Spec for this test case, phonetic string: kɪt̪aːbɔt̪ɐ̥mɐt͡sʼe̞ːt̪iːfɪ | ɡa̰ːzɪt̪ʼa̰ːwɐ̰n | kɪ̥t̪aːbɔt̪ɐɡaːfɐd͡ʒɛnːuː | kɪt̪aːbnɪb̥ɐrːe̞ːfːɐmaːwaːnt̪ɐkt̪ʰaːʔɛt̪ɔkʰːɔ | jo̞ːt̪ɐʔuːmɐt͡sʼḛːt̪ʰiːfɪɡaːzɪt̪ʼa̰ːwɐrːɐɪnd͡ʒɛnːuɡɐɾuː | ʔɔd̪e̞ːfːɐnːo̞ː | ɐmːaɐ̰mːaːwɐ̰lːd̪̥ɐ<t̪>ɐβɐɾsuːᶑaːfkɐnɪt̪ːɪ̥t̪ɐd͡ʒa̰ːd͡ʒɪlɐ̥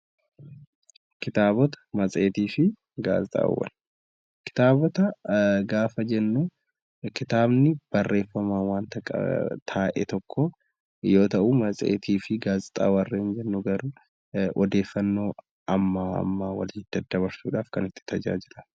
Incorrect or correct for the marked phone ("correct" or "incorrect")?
incorrect